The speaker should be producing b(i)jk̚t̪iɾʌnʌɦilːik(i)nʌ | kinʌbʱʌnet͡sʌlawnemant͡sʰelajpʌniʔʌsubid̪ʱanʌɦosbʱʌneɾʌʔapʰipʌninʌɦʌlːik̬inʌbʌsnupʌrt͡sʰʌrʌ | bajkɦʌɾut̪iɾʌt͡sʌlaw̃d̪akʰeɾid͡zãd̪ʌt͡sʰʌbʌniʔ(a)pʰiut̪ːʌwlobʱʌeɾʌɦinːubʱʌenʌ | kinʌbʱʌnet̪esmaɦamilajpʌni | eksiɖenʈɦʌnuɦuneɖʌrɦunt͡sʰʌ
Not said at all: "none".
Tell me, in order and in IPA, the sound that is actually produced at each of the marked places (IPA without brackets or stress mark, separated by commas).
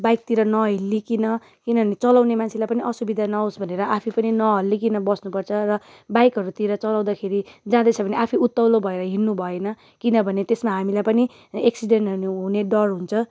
a, i, a